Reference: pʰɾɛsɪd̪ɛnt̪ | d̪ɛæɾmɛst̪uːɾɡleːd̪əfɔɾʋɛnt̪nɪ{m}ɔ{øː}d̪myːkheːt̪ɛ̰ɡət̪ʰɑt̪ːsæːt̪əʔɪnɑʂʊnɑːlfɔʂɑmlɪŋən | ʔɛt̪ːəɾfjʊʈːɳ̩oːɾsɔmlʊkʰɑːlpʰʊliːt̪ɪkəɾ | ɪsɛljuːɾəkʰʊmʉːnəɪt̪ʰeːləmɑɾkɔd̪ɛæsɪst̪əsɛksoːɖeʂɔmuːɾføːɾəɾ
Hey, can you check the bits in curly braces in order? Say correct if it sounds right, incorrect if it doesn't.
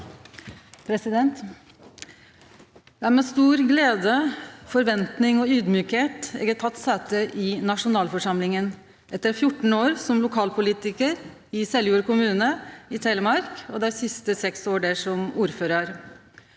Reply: incorrect, incorrect

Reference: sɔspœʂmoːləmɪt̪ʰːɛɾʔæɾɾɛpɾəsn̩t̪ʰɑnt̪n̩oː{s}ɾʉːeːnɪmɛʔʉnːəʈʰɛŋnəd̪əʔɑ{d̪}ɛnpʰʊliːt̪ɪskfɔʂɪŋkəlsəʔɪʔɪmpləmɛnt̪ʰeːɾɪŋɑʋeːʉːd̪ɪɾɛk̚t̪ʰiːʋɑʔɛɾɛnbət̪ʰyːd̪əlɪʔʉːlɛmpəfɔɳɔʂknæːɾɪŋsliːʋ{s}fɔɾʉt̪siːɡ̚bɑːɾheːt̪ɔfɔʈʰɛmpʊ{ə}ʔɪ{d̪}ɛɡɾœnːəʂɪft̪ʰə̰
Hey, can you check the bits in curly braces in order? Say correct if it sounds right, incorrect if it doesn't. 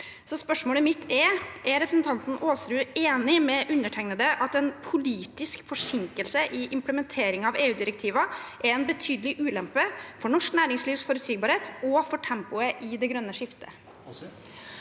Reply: correct, incorrect, correct, correct, correct

